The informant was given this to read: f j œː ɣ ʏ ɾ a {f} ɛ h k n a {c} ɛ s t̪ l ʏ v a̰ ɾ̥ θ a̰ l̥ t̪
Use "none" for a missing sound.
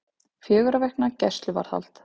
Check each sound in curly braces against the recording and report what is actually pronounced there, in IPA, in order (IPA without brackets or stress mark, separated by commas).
v, c